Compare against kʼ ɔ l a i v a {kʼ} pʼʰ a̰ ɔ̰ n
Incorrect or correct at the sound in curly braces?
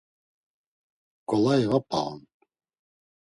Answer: incorrect: none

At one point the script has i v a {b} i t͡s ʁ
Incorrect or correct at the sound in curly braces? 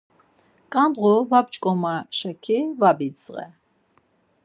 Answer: correct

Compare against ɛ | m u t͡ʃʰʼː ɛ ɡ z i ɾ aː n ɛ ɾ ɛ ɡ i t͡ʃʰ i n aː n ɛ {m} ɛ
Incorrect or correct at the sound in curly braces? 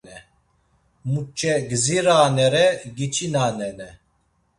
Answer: incorrect: n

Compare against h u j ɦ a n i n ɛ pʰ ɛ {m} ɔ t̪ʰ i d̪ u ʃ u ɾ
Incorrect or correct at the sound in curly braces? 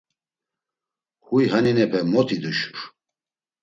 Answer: correct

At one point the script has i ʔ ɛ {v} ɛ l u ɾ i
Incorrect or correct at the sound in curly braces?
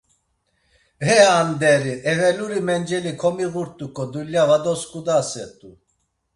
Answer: correct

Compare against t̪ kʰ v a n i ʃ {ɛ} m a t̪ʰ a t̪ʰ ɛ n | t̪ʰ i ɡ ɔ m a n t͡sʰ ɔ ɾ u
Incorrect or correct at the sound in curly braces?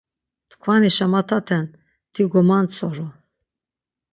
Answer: incorrect: a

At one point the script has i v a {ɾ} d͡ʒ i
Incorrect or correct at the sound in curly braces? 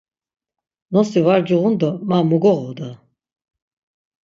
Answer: correct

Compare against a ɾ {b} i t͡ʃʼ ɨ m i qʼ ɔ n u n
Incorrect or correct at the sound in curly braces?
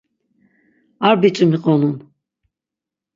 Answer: correct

